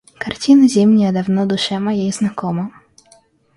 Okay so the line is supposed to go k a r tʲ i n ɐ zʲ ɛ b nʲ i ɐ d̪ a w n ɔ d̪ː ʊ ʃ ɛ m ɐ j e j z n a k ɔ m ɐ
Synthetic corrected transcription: k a r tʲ i n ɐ zʲ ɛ m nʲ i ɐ d̪ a w n ɔ d̪ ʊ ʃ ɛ m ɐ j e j z n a k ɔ m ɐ